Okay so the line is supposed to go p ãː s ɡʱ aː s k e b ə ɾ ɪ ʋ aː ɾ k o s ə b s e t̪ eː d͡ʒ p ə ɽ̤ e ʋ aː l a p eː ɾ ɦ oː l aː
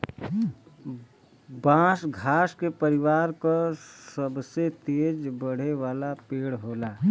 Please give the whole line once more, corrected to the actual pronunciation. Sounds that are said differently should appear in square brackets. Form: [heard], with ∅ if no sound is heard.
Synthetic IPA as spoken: [b] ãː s ɡʱ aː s k e [p] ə ɾ ɪ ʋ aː ɾ k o s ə b s e t̪ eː d͡ʒ [b] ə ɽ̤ e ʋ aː l a p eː [ɽ] ɦ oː l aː